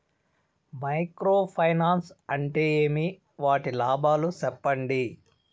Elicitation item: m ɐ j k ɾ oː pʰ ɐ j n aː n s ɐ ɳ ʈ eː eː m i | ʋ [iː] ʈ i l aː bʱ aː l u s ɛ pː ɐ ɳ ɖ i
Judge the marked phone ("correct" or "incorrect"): incorrect